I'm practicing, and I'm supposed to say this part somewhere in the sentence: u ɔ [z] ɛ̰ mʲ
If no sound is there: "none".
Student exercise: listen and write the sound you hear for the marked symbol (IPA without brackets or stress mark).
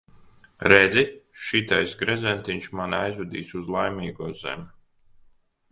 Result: z